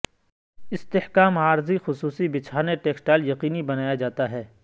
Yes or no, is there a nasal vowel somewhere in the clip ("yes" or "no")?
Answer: no